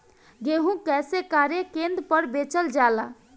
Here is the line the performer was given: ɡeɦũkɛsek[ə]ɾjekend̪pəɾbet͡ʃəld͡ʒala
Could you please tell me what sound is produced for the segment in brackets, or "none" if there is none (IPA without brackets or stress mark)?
a